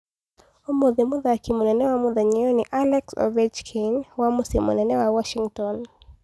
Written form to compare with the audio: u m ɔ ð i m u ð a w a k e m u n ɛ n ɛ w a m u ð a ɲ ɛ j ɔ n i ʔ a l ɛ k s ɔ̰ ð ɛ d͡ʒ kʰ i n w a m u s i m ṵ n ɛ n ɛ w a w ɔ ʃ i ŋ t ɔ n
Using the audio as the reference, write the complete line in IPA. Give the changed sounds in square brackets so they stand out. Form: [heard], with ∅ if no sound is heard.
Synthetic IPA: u m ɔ ð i m u ð a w a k [i] m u n ɛ n ɛ w a m u ð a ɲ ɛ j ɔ n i ʔ a l ɛ k s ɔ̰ [v] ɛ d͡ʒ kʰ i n w a m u s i m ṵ n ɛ n ɛ w a w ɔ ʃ i ŋ t ɔ n